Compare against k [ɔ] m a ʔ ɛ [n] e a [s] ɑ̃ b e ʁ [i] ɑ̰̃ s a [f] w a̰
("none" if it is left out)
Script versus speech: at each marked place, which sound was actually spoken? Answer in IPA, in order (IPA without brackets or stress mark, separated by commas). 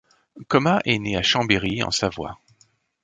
ɔ, n, ʃ, i, v